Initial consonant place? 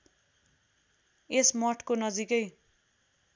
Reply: alveolar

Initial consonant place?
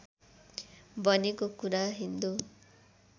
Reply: labial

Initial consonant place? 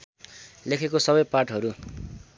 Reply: alveolar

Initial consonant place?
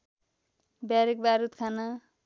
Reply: labial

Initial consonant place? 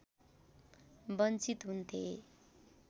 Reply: labial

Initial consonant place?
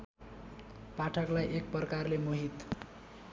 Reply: labial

